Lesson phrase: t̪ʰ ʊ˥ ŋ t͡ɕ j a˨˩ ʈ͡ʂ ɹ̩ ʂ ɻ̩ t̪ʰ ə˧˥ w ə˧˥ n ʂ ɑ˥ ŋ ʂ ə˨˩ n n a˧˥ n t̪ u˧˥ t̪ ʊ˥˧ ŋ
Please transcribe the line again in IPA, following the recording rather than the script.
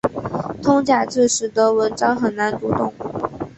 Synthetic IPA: t̪ʰ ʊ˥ ŋ t͡ɕ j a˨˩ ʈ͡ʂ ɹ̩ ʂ ɻ̩ t̪ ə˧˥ w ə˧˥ n ʈ͡ʂ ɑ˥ ŋ x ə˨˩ n n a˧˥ n t̪ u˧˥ t̪ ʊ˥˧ ŋ